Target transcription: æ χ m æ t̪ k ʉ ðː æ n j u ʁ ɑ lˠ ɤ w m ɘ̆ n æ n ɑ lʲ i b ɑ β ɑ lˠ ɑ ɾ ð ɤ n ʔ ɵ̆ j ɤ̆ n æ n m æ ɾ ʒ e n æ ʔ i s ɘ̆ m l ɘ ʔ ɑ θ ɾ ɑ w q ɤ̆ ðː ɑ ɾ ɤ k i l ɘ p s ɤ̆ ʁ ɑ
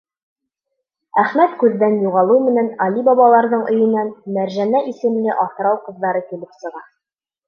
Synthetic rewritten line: æ χ m æ t̪ k ʉ ðː æ n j u ʁ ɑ lˠ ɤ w m ɘ̆ n æ n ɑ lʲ i b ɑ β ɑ lˠ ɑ ɾ ð ɤ ɴ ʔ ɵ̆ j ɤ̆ n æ n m æ ɾ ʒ æ n æ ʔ i s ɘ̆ m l ɘ ʔ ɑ θ ɾ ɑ w q ɤ̆ ðː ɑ ɾ ɤ k i l ɘ p s ɤ̆ ʁ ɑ